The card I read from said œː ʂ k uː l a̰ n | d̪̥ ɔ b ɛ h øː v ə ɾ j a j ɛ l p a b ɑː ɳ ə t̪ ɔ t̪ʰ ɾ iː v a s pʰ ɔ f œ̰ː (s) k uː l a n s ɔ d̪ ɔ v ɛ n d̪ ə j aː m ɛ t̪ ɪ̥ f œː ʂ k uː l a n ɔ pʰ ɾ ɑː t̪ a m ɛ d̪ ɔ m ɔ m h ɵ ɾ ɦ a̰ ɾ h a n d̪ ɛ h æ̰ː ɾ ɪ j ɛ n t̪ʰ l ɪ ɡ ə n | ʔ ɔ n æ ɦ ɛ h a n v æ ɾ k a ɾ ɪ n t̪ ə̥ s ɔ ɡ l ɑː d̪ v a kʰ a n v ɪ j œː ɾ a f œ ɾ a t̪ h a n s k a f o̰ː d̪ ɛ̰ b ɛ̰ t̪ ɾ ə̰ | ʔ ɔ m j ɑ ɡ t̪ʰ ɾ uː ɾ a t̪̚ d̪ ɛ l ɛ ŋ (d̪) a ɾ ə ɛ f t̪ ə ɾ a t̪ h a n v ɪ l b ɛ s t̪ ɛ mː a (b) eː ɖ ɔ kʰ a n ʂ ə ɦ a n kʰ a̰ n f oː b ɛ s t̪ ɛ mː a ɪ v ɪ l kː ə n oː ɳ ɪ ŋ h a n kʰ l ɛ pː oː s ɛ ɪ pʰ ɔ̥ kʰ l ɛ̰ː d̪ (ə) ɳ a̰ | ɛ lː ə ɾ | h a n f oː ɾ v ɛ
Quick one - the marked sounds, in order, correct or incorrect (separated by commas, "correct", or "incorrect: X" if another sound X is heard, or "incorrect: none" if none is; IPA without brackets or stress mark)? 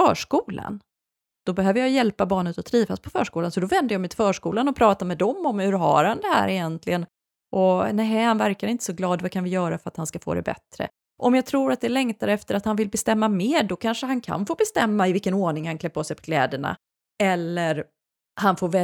incorrect: ʂ, incorrect: t̪, incorrect: m, correct